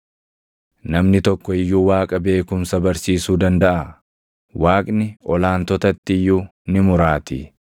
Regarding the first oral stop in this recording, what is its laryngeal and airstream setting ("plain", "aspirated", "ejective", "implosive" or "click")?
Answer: plain